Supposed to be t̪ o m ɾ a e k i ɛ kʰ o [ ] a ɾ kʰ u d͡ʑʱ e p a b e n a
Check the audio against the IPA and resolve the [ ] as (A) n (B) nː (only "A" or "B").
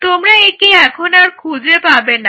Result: A